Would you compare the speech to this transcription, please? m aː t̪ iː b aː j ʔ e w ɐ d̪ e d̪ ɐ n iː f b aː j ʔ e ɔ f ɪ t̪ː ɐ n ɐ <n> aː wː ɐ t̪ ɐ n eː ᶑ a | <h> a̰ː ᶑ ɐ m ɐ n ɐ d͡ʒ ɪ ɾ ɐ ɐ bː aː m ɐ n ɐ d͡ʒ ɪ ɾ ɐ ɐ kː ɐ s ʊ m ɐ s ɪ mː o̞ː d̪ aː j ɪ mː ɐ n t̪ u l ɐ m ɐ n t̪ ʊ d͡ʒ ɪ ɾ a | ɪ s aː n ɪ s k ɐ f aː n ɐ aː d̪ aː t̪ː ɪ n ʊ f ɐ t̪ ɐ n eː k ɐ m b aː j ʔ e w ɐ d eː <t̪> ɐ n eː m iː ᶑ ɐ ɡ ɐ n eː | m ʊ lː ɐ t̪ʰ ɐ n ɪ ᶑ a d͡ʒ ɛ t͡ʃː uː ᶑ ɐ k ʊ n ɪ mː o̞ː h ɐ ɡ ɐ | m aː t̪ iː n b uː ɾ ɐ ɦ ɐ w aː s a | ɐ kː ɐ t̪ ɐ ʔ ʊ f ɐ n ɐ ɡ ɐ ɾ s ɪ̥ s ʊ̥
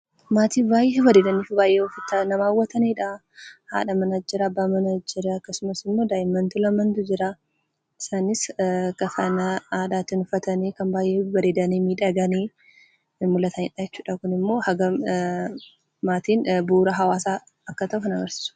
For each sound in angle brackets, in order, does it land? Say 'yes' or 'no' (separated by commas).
no, yes, no